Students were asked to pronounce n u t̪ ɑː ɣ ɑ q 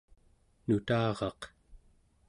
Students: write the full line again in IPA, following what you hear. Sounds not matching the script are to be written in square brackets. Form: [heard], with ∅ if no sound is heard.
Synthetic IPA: n u t̪ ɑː [ʁ] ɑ q

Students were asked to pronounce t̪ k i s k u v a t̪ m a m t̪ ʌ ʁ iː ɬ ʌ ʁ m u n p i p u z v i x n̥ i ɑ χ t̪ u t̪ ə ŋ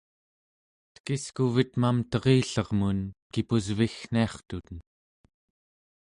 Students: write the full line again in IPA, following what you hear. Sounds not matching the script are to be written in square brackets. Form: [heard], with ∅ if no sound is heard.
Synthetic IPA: t̪ k i s k u v [i] t̪ m a m t̪ ʌ ʁ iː ɬ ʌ ʁ m u n [k] i p u z v i x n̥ i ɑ χ t̪ u t̪ ə [n]

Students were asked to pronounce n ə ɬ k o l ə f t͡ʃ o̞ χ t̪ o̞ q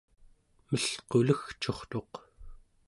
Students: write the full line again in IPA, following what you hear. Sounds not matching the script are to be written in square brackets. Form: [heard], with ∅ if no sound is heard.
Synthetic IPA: [m] ə ɬ [q] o l ə [x] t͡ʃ o̞ χ t̪ o̞ q

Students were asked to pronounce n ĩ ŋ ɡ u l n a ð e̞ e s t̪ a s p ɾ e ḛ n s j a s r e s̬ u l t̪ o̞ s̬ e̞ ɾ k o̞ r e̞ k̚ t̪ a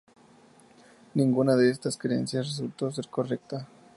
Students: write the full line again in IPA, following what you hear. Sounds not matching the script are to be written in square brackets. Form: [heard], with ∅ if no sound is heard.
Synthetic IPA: n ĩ ŋ ɡ u [∅] n a ð e̞ e s t̪ a s [k] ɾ e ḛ n s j a s r e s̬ u l t̪ o̞ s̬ e̞ ɾ k o̞ r e̞ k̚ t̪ a

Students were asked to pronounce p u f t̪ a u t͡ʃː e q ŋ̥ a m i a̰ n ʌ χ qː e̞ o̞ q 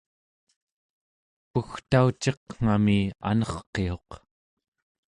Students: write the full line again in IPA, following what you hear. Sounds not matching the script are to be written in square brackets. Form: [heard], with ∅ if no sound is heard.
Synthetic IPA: p u [x] t̪ a u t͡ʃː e q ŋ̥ a m i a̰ n ʌ χ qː e̞ o̞ q

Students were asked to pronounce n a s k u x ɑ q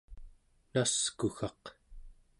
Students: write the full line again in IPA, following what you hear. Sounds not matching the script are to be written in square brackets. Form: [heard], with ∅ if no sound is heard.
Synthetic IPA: n a s k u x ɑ q

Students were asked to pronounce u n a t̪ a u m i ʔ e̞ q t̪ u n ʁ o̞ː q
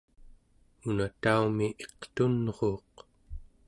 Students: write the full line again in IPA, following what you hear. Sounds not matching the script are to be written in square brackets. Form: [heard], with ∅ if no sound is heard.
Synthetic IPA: u n a t̪ a u m i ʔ e̞ q t̪ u n ʁ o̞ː q

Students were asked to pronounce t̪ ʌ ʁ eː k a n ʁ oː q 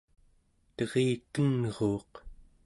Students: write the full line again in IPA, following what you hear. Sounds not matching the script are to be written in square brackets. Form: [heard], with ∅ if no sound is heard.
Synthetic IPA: t̪ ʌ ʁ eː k [ə] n ʁ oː q

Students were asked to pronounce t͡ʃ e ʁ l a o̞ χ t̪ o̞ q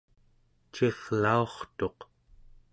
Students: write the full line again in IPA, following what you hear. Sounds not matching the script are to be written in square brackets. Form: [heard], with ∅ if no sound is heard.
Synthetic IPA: t͡ʃ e ʁ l a o̞ χ t̪ o̞ q

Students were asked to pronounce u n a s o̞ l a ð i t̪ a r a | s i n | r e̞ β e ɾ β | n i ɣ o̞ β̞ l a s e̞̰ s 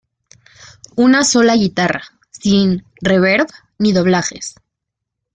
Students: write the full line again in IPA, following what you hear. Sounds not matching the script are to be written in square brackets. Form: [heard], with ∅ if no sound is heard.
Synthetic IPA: u n a s o̞ l a [ɣ] i t̪ a r a | s i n | r e̞ β e ɾ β | n i [ð] o̞ β̞ l a [x] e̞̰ s

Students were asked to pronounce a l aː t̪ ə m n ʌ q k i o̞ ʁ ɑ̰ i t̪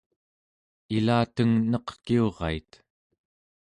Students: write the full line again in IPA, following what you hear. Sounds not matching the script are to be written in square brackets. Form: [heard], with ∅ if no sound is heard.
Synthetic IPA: [i] l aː t̪ ə [ŋ] n ʌ q k i o̞ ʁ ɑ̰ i t̪

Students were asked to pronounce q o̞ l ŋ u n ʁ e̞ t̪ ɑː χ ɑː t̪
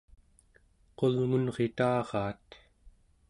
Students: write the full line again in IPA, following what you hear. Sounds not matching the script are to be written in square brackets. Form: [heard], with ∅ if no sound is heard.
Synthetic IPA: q o̞ l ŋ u n ʁ e̞ t̪ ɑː [ʁ] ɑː t̪

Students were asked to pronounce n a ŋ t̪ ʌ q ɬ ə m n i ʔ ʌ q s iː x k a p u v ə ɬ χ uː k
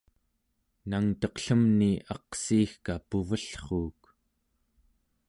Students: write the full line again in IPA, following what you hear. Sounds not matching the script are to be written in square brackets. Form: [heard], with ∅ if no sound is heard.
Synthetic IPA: n a ŋ t̪ ʌ q ɬ ə m n i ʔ [ɑ] q s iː x k a p u v ə ɬ χ uː k

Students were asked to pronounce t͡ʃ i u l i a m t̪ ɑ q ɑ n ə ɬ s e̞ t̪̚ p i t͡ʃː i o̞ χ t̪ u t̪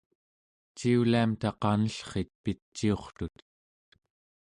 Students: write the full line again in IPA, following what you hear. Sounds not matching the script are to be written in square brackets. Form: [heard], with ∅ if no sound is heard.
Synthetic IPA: t͡ʃ i u l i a m t̪ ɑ q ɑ n ə ɬ [χ] e̞ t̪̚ p i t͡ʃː i o̞ χ t̪ u t̪

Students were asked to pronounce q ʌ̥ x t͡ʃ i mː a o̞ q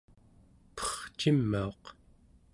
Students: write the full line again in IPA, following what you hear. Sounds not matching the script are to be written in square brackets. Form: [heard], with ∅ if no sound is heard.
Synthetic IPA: [p] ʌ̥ [χ] t͡ʃ i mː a o̞ q

